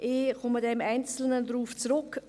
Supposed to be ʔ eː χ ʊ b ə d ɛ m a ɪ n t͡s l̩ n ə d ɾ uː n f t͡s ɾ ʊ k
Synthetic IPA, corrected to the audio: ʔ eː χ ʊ m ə d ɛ m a ɪ n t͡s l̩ n ə d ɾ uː f t͡s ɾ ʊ k